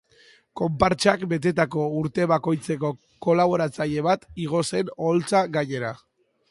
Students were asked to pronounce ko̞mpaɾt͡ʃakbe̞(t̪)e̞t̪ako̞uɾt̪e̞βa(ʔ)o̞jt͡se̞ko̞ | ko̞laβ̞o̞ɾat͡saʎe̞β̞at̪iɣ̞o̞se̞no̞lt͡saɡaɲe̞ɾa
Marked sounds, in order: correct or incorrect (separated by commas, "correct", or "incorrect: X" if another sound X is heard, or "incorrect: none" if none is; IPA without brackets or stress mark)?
correct, incorrect: k